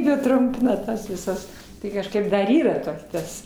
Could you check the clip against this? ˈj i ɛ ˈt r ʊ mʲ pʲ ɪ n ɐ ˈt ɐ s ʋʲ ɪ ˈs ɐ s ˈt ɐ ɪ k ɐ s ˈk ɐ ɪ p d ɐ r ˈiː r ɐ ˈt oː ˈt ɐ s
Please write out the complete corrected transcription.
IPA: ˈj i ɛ ˈt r ʊ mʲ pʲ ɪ n ɐ ˈt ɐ s ʋʲ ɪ ˈs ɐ s ˈt ɐ ɪ k ɐ ʃ ˈk ɐ ɪ p d ɐ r ˈiː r ɐ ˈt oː ˈt ɐ s

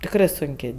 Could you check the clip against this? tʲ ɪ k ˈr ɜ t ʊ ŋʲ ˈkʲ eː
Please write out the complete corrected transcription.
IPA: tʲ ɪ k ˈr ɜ s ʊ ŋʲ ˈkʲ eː

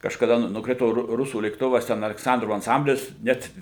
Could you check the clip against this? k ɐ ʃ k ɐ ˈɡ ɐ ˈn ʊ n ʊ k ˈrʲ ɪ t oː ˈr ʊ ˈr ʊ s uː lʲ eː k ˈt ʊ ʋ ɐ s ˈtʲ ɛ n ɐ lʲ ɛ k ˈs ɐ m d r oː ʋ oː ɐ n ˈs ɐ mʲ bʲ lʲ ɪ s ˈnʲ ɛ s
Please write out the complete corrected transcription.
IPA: k ɐ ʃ k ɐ ˈd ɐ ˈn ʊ n ʊ k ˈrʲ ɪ t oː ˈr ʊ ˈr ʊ s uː lʲ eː k ˈt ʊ ʋ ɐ s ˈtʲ ɛ n ɐ lʲ ɛ k ˈs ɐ n d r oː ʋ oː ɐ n ˈs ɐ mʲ bʲ lʲ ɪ s ˈnʲ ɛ t

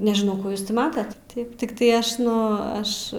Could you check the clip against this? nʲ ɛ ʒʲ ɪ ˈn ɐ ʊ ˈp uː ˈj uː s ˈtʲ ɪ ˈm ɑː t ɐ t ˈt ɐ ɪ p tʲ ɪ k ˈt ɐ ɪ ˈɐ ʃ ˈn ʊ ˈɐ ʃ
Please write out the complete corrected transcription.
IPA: nʲ ɛ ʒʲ ɪ ˈn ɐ ʊ ˈk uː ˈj uː s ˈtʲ ɪ ˈm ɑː t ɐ t ˈt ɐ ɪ p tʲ ɪ k ˈt ɐ ɪ ˈɐ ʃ ˈn ʊ ˈɐ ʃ

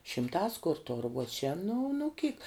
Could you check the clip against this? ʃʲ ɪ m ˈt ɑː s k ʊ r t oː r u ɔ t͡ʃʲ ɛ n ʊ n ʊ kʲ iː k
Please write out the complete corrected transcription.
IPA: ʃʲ ɪ m ˈt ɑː s k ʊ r t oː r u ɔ t͡ʃʲ ɛ n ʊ n ʊ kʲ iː k

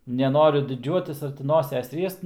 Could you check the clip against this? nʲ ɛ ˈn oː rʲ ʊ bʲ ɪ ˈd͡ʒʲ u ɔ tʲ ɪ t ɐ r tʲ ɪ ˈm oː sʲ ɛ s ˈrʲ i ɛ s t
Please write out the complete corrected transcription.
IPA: nʲ ɛ ˈn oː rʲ ʊ dʲ ɪ ˈd͡ʒʲ u ɔ tʲ ɪ s ɐ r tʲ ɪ ˈn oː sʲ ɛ s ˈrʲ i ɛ s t

